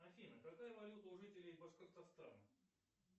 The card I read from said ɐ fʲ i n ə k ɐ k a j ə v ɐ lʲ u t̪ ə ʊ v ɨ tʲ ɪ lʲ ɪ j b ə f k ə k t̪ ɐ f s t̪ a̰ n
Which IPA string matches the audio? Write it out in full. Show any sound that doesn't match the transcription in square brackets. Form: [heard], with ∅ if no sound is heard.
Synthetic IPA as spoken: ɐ fʲ i n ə k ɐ k a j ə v ɐ lʲ u t̪ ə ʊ [ʐ] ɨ tʲ ɪ lʲ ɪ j b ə [ʂ] k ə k t̪ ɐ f s t̪ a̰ n